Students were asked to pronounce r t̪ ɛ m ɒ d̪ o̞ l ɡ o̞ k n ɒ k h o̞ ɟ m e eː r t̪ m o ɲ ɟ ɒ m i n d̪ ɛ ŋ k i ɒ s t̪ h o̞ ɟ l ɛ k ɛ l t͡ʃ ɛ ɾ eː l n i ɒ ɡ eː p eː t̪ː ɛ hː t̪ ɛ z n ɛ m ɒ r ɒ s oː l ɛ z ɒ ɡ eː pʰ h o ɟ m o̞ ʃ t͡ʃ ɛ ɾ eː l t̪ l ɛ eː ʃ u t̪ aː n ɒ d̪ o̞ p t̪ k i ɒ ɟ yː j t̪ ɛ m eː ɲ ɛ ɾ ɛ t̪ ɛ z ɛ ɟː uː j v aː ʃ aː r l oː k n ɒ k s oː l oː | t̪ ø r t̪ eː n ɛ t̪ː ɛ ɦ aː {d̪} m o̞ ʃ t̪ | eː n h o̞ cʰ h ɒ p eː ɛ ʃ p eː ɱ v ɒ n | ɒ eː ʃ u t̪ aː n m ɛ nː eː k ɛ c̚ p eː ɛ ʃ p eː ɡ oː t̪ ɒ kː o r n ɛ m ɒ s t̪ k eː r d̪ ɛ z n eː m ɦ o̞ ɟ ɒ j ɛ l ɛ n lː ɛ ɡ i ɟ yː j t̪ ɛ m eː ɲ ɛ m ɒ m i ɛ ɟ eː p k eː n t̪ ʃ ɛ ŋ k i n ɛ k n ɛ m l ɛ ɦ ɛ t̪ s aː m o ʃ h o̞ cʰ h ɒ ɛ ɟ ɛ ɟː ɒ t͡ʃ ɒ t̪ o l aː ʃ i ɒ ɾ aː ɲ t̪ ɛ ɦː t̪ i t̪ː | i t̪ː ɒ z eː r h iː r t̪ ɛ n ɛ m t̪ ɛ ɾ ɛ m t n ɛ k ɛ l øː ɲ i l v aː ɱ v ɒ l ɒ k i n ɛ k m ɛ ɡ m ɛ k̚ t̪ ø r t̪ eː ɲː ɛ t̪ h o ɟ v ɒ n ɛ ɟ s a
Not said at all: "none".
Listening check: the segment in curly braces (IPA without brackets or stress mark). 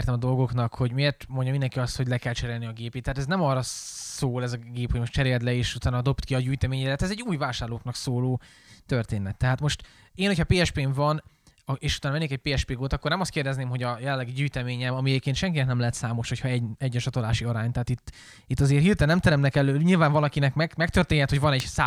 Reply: t̪